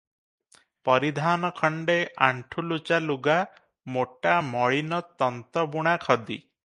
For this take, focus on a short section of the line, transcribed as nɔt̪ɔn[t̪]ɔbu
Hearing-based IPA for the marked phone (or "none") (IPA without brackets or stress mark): t̪